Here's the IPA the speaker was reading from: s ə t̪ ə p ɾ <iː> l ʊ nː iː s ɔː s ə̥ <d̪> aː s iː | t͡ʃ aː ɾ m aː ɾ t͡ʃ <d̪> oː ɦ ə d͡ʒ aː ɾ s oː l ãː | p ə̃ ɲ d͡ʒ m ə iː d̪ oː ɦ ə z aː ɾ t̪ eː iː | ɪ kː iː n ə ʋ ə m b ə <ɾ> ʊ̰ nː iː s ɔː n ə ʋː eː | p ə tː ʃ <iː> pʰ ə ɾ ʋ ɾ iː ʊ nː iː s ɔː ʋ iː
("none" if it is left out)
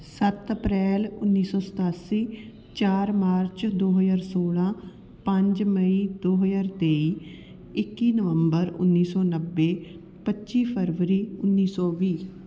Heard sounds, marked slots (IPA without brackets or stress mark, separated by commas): ɛː, t̪, d̪, ɾ, iː